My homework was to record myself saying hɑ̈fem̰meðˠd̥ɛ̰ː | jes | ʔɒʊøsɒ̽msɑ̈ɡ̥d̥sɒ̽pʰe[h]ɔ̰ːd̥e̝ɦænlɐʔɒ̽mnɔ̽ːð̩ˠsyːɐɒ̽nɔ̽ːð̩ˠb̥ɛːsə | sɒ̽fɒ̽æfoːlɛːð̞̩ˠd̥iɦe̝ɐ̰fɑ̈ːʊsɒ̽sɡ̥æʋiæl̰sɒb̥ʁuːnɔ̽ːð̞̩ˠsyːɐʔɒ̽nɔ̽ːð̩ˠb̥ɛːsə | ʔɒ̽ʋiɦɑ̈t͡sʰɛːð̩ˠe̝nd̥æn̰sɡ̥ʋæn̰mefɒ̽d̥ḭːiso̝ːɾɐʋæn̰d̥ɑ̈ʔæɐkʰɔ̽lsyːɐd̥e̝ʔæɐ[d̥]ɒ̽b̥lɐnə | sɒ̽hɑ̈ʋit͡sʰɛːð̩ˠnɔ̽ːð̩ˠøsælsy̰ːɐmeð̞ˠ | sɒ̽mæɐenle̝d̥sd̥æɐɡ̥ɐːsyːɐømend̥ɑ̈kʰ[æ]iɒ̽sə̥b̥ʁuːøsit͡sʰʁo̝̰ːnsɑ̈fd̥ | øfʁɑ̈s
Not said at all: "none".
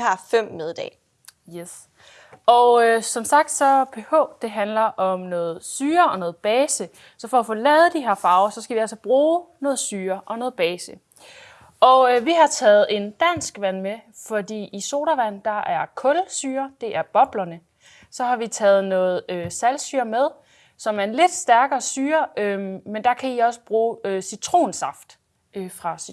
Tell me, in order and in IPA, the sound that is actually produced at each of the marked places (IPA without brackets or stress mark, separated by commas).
h, b̥, æ